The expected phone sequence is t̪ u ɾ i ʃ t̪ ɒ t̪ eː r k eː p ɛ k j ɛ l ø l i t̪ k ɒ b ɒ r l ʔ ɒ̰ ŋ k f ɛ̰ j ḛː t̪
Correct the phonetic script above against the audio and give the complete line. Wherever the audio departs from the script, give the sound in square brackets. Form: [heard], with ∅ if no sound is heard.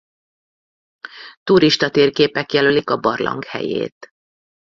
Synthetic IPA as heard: t̪ u ɾ i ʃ t̪ ɒ t̪ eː r k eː p ɛ k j ɛ l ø l i [∅] k ɒ b ɒ r l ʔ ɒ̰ ŋ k [h] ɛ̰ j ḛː t̪